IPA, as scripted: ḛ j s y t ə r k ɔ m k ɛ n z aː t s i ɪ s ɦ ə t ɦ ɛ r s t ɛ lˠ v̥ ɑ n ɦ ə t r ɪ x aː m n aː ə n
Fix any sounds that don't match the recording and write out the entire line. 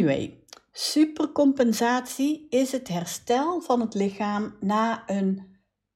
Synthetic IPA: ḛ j s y p ə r k ɔ m p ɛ n z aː t s i ɪ s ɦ ə t ɦ ɛ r s t ɛ lˠ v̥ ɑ n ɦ ə t l ɪ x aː m n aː ə n